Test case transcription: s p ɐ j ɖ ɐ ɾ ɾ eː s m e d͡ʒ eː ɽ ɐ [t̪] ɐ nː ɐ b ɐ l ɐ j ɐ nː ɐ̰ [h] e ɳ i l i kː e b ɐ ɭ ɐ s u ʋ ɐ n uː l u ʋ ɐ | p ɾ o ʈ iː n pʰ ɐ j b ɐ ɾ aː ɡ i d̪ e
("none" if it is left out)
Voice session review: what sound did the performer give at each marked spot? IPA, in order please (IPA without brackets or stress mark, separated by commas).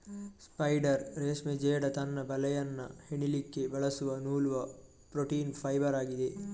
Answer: t̪, h